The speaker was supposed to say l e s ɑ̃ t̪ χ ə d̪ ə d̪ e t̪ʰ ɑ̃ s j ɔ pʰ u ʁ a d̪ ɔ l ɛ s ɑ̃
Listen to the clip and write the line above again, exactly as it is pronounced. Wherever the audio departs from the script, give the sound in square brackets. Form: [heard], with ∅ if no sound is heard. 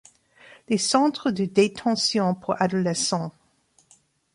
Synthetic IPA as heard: l e s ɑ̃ t̪ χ ə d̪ ə d̪ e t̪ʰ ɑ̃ s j [ɔ̃] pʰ u ʁ a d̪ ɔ l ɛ s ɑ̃